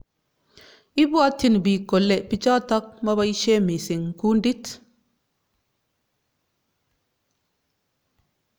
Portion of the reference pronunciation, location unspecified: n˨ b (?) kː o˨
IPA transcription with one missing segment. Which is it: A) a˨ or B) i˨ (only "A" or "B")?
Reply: B